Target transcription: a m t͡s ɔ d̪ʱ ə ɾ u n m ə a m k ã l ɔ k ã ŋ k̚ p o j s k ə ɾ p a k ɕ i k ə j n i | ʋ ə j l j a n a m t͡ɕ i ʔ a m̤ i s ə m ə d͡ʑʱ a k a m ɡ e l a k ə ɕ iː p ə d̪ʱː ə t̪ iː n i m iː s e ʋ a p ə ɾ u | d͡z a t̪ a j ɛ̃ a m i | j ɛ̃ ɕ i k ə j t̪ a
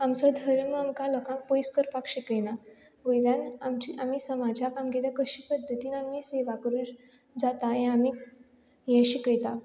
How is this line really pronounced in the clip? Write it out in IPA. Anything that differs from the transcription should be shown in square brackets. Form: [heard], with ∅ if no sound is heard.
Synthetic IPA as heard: a m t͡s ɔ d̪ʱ ə ɾ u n m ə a m k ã l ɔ k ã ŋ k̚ p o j s k ə ɾ p a k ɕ i k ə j n [a] | ʋ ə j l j a n a m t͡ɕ i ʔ a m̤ i s ə m [a] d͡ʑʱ a k a m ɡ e l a k ə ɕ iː p ə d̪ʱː ə t̪ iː n [a] m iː s e ʋ a [k] ə ɾ u | d͡z a t̪ a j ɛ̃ a m i | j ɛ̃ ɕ i k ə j t̪ a